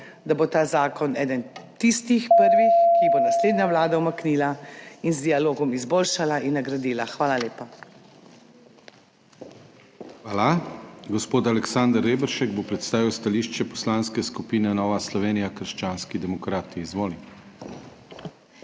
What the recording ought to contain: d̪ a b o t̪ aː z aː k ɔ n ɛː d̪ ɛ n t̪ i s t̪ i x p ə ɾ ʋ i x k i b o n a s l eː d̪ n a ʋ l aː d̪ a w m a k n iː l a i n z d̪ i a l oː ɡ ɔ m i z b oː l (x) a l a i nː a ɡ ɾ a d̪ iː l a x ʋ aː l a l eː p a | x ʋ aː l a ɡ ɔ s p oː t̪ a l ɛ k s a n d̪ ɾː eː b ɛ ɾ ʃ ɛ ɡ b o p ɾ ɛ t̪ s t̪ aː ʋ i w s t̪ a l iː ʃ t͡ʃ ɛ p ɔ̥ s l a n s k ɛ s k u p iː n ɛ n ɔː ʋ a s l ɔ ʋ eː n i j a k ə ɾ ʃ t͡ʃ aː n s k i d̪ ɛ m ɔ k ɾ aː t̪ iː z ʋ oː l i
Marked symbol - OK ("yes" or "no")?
no